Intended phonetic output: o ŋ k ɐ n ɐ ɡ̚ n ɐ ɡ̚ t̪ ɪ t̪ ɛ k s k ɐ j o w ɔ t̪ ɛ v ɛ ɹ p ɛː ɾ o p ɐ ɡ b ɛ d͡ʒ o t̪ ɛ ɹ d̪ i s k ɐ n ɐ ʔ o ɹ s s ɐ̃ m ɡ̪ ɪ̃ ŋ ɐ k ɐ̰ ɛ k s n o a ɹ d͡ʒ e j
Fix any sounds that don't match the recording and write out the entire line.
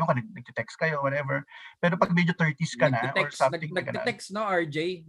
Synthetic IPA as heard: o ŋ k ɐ n ɐ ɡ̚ n ɐ ɡ̚ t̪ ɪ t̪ ɛ k s k ɐ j o w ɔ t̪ ɛ v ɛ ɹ p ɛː ɾ o p ɐ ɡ m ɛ d͡ʒ o t̪ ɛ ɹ t̪ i s k ɐ n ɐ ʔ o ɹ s s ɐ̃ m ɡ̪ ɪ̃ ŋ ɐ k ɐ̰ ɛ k s n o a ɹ d͡ʒ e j